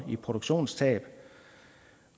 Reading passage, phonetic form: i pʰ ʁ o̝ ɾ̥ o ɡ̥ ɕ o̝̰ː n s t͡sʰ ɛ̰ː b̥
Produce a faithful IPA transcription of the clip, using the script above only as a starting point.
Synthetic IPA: i pʰ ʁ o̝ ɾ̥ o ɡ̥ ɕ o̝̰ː n s t͡sʰ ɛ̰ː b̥